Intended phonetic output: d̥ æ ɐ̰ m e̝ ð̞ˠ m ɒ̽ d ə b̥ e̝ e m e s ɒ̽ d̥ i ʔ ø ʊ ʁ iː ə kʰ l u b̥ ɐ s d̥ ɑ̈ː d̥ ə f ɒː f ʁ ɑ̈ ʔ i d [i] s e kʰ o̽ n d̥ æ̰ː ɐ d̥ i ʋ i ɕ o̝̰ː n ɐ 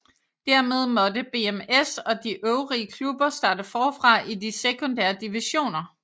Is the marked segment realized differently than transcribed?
no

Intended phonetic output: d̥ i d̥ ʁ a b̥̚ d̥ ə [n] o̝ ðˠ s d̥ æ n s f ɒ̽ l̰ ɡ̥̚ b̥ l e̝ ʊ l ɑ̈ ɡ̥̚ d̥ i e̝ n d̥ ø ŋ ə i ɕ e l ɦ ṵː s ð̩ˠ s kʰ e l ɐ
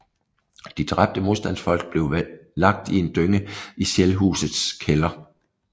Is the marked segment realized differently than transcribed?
yes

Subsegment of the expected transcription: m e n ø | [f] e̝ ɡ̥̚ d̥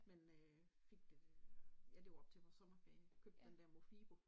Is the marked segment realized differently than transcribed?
no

